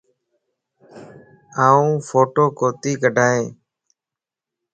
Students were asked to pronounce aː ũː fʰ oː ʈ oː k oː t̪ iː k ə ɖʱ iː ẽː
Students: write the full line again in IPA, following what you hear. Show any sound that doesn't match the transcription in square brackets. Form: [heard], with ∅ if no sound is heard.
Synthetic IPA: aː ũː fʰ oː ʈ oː k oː t̪ iː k ə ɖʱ [aː] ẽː